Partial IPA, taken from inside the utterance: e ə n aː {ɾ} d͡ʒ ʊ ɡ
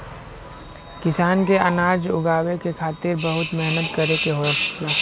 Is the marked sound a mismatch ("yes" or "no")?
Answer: no